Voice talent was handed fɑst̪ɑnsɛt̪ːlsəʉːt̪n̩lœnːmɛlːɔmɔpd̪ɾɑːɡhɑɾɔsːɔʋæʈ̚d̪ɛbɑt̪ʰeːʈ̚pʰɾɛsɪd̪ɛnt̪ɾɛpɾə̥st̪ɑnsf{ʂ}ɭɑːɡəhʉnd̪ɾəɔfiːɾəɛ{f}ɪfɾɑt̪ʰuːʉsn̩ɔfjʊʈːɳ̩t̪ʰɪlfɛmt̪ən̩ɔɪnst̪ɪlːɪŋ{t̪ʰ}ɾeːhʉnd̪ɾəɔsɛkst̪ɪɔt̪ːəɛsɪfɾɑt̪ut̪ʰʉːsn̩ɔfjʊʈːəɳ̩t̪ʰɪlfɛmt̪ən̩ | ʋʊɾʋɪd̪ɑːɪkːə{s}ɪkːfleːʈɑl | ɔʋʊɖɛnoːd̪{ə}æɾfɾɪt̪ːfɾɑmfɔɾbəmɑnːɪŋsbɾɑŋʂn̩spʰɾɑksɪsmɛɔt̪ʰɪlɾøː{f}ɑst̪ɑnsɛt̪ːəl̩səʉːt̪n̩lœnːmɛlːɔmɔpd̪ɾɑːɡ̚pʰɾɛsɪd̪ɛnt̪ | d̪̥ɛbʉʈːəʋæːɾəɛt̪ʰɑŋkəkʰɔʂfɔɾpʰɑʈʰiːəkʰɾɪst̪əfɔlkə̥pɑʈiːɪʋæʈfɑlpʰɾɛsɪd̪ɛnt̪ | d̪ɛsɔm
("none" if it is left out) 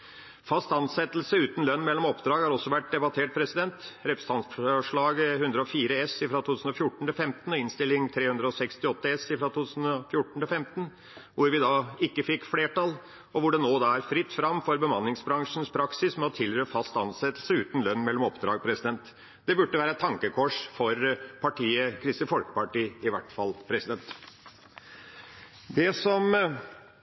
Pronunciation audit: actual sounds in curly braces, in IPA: ʂ, s, t̪ʰ, f, ɑ, f

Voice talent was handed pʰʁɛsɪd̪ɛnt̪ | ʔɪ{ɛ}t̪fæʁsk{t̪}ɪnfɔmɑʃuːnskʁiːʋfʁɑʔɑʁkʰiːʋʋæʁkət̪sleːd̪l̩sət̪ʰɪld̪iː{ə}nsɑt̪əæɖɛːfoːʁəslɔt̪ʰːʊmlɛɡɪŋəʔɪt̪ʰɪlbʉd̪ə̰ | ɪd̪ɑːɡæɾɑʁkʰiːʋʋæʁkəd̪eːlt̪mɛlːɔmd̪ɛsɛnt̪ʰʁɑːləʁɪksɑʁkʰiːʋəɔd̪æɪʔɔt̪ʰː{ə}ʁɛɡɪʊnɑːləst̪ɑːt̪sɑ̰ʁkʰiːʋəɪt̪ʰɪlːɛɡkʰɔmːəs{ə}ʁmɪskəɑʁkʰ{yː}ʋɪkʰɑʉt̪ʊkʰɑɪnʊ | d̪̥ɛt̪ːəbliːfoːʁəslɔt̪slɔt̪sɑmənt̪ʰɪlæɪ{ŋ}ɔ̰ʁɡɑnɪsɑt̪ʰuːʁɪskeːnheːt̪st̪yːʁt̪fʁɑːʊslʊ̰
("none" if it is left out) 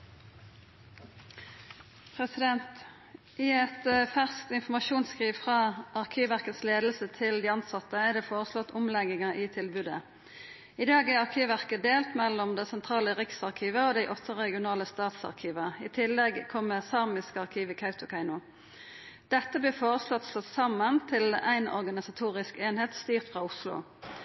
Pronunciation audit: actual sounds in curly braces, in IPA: ɛ, t̪, ɑ, ə, ɑ, iː, n

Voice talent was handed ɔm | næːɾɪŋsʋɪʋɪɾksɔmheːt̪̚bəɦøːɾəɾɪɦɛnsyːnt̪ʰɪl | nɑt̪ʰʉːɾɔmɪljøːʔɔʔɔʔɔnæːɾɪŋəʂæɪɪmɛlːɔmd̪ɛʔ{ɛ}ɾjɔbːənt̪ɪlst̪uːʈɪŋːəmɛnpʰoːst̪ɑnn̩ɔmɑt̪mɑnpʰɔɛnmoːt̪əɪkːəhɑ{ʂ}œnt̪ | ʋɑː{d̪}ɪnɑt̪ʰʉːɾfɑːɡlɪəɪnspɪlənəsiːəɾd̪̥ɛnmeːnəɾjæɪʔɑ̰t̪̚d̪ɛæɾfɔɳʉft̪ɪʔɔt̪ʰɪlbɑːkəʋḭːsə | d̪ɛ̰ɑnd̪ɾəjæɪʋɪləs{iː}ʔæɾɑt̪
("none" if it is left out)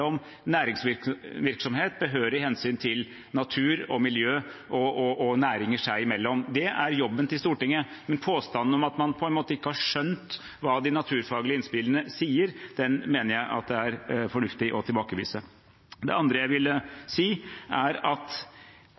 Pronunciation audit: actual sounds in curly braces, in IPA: æ, ʂ, d̪, iː

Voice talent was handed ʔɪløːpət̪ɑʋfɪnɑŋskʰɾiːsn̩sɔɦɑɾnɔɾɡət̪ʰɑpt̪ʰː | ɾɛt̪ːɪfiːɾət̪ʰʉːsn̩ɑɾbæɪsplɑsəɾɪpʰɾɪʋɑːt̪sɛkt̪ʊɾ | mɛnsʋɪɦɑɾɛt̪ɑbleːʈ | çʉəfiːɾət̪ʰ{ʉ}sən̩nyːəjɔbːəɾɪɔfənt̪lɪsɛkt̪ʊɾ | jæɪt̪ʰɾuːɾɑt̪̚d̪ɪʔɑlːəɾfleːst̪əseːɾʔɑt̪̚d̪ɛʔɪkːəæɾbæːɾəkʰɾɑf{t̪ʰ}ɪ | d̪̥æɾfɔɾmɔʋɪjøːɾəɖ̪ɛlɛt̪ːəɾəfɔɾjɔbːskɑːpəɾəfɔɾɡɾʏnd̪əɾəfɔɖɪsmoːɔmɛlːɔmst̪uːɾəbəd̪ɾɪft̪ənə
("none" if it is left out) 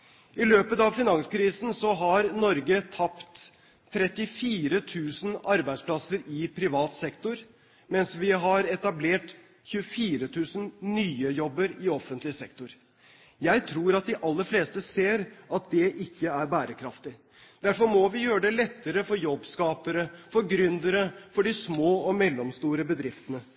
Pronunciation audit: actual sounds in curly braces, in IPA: ʉː, t̪

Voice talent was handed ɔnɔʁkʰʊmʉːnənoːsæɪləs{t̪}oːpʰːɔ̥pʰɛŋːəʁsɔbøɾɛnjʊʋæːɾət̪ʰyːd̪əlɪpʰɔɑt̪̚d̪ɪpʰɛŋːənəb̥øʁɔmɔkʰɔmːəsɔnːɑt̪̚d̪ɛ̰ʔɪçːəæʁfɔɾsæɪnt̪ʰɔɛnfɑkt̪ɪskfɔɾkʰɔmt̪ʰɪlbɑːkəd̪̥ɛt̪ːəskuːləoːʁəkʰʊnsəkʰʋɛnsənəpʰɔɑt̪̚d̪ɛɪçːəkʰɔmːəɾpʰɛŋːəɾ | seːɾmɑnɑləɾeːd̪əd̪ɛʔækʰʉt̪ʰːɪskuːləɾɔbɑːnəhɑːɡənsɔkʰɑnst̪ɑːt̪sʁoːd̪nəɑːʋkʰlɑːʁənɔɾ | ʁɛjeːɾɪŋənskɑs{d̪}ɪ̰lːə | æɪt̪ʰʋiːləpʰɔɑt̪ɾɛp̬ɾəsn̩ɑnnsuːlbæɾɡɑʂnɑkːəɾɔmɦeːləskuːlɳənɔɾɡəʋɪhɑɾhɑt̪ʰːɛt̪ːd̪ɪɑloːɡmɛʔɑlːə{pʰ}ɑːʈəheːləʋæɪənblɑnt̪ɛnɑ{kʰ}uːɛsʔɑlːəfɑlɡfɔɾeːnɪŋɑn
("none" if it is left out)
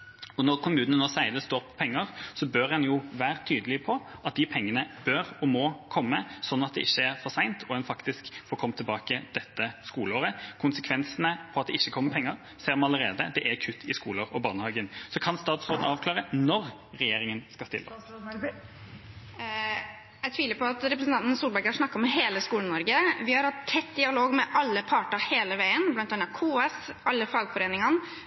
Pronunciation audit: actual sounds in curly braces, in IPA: t̪, t̪, pʰ, kʰ

